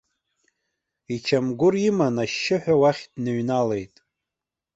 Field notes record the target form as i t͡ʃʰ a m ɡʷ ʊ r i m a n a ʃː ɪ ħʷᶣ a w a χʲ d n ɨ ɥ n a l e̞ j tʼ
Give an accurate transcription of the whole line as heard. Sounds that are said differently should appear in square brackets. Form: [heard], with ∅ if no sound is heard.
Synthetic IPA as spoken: i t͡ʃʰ a m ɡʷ ʊ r i m a n a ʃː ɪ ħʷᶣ a w a χʲ d n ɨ ɥ n a l e̞ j tʼ